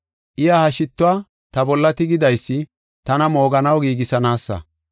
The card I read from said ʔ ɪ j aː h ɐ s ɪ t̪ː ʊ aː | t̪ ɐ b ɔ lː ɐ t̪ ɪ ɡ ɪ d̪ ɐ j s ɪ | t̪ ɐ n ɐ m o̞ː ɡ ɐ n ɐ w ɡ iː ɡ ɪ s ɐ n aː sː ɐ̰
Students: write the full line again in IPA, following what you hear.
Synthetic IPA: ʔ ɪ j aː h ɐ ʃ ɪ t̪ː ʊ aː | t̪ ɐ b ɔ lː ɐ t̪ ɪ ɡ ɪ d̪ ɐ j sː ɪ | t̪ ɐ n ɐ m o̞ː ɡ ɐ n ɐ w ɡ iː ɡ ɪ s ɐ n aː sː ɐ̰